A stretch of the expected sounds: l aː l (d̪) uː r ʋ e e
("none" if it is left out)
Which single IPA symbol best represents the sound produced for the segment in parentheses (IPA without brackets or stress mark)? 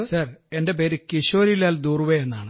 d̪